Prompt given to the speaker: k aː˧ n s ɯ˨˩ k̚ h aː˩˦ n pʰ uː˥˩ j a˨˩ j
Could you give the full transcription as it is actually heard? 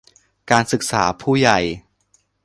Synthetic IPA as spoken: k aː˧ n s ɯ˨˩ k̚ s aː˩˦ pʰ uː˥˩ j a˨˩ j

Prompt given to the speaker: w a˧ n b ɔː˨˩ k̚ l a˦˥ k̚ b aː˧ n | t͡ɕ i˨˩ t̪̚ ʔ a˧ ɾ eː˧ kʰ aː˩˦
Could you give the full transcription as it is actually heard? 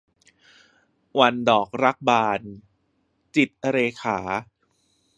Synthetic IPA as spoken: w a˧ n d ɔː˨˩ k̚ ɾ a˦˥ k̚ b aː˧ n | t͡ɕ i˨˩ t̪̚ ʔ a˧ ɾ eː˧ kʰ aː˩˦

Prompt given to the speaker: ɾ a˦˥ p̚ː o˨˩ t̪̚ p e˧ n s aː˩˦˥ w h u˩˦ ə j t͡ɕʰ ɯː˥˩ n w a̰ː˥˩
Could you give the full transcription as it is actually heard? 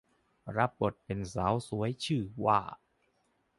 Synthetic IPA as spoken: ɾ a˦˥ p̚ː o˨˩ t̪̚ p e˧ n s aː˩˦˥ w s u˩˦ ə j t͡ɕʰ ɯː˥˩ w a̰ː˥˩

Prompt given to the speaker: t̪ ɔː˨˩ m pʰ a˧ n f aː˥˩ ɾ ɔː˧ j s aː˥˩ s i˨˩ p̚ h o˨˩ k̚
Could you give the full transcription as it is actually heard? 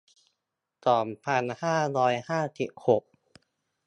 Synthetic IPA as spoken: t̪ ɔː˨˩ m pʰ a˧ n h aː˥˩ ɾ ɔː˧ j h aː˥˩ s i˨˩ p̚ h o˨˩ k̚

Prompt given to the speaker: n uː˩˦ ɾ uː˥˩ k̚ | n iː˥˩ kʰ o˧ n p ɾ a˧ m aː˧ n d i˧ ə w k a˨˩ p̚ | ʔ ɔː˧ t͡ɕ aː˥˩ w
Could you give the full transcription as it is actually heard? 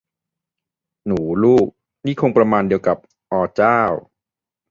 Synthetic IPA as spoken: n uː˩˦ l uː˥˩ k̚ | n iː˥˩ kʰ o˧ ŋ p ɾ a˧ m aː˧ n d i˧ ə w k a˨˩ p̚ | ʔ ɔː˧ t͡ɕ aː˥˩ w

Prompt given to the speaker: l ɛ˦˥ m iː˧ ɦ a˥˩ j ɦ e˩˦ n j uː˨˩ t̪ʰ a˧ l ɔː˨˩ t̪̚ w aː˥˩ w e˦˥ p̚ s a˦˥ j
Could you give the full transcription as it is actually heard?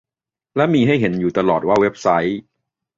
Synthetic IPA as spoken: l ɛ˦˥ m iː˧ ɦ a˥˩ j ɦ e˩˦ n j uː˨˩ t̪ a˧ l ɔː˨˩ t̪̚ w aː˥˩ w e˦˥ p̚ s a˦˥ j

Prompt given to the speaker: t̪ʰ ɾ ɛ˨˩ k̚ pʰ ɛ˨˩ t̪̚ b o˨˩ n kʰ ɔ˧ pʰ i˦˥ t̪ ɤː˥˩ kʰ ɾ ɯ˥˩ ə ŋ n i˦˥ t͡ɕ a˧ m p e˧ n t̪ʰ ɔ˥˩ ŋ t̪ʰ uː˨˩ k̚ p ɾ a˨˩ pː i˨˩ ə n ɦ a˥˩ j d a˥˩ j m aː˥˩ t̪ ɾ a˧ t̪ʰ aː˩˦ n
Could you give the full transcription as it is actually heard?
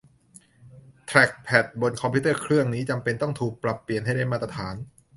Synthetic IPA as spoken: t̪ʰ ɾ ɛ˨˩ k̚ pʰ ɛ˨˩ t̪̚ b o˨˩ n kʰ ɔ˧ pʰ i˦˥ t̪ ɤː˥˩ kʰ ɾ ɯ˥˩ ə ŋ n iː˦˥ t͡ɕ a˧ m p e˧ n t̪ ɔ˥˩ ŋ t̪ʰ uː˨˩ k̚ p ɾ a˨˩ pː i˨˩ ə n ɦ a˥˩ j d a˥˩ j m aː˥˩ t̪ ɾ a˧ t̪ʰ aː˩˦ n

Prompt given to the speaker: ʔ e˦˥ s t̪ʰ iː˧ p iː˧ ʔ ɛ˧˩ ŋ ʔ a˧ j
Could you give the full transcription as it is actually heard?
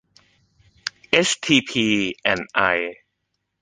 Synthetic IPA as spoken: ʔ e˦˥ s t̪ʰ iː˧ pʰ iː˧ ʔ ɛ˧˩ n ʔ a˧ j

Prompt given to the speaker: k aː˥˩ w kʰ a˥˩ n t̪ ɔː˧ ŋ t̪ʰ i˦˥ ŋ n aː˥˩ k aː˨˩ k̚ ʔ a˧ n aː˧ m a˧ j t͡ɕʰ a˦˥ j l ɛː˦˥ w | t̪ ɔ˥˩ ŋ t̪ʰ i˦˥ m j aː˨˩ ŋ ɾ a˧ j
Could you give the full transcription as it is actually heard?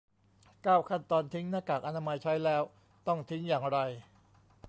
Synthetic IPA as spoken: k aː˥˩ w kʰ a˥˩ n t̪ ɔː˧ n t̪ʰ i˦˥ ŋ n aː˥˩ k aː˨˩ k̚ ʔ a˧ n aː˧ m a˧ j t͡ɕʰ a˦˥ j l ɛː˦˥ w | t̪ ɔ˥˩ ŋ t̪ʰ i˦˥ ŋ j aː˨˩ ŋ ɾ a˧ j

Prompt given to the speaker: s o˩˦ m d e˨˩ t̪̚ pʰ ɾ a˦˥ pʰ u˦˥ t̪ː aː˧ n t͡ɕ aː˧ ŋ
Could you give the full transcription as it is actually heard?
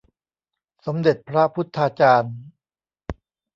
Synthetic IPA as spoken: s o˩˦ m d e˨˩ t̪̚ pʰ ɾ a˦˥ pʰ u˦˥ t̪ʰː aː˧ t͡ɕ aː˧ n

